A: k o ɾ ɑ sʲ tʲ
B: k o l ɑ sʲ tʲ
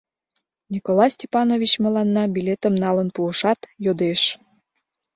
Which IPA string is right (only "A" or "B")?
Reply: B